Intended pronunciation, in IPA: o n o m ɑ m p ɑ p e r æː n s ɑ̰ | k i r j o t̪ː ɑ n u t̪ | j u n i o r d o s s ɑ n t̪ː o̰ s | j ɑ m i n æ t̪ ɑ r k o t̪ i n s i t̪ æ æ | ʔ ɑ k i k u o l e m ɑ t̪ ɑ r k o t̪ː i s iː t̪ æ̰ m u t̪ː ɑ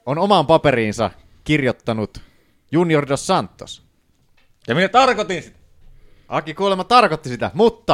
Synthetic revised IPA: o n o m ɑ m p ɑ p e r iː n s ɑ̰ | k i r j o t̪ː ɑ n u t̪ | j u n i o r d o s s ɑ n t̪ː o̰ s | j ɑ m i n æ t̪ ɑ r k o t̪ i n s i t̪ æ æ | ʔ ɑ k i k u o l e m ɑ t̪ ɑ r k o t̪ː i s i t̪ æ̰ m u t̪ː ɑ